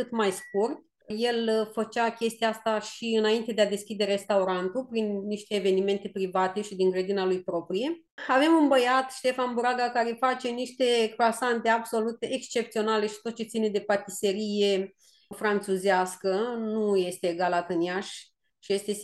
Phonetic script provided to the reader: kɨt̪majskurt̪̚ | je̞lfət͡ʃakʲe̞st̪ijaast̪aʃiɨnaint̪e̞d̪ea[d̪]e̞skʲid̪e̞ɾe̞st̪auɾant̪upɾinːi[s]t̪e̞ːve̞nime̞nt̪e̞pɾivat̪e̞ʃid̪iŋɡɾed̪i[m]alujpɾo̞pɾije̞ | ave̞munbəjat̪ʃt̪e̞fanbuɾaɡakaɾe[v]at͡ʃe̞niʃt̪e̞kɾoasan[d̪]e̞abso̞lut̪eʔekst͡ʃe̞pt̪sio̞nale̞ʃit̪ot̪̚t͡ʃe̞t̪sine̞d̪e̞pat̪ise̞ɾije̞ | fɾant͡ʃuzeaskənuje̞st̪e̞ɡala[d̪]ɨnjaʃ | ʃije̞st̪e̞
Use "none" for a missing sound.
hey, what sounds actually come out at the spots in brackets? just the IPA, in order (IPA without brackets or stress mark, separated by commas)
d̪, ʃ, n, f, t̪, t̪